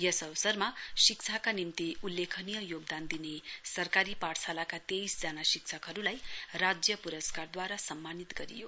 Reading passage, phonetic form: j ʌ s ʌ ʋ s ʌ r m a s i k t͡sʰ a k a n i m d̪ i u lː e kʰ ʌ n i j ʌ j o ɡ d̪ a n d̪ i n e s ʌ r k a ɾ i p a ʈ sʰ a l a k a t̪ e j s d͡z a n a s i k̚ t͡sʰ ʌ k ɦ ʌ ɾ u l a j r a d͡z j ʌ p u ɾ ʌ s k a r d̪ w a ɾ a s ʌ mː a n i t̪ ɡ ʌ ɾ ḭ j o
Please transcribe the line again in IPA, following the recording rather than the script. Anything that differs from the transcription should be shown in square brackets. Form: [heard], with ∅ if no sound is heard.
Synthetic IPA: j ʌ s ʌ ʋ s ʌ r m a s i k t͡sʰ a k a n i m [t̪] i u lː e kʰ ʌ n i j ʌ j o ɡ d̪ a n d̪ i n e s ʌ r k a ɾ i p a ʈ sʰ a l a k a t̪ e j s d͡z a n a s i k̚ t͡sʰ ʌ k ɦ ʌ ɾ u l a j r a d͡z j ʌ p u ɾ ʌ s k a r d̪ w a ɾ a s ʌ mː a n i t̪ ɡ ʌ ɾ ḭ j o